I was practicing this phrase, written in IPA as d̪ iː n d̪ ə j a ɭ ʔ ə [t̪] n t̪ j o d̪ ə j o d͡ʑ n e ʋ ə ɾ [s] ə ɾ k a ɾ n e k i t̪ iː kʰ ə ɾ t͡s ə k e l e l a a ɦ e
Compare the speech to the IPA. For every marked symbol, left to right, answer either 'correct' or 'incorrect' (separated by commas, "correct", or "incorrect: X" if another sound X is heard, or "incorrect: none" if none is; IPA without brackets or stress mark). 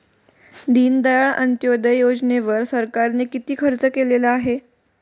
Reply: incorrect: none, correct